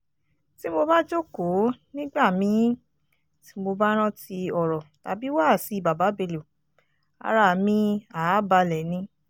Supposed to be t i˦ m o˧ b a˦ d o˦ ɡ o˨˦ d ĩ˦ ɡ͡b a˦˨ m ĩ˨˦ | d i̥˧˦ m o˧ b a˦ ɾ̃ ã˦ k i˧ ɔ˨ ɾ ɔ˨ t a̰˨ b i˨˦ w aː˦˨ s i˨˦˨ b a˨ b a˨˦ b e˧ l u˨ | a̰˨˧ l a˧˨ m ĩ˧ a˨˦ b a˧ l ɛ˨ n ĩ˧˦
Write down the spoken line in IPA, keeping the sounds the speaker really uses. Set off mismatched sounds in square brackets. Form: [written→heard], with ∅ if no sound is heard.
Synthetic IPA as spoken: t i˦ m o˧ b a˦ [d→d͡ʒ] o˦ [ɡ→k] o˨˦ [d→n] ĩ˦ ɡ͡b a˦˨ m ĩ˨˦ | [d→t] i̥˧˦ m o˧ b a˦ ɾ̃ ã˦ [k→t] i˧ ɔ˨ ɾ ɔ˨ t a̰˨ b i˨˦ w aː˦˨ s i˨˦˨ b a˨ b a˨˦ b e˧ l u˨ | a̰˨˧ [l→ɾ] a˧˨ m ĩ˧ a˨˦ b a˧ l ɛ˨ n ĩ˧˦